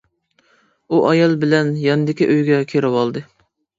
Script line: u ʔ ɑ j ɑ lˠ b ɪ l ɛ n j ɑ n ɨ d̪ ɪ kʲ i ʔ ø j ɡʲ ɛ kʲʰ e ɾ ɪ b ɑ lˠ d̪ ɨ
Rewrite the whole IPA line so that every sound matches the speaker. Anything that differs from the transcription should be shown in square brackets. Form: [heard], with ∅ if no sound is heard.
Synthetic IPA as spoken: u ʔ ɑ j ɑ lˠ b ɪ l ɛ n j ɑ n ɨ d̪ ɪ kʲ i ʔ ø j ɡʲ ɛ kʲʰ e ɾ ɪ [w] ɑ lˠ d̪ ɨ